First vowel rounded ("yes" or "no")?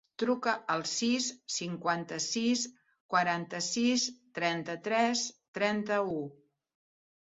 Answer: yes